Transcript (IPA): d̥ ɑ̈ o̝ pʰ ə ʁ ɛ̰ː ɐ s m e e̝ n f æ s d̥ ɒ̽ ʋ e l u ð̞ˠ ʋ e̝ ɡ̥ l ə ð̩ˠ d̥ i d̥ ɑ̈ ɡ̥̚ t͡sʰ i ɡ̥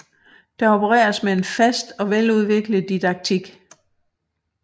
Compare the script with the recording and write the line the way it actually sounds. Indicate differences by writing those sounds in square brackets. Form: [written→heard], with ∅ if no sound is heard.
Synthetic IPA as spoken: d̥ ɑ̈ o̝ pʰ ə ʁ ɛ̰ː ɐ s m e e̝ n f æ s d̥ ɒ̽ ʋ e l u ð̞ˠ ʋ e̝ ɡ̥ l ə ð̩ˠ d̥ i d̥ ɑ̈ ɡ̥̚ t͡sʰ i ɡ̥